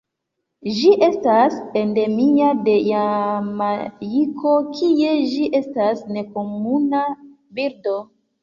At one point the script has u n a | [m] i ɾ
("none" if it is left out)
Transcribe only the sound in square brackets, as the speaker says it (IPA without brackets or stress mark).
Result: b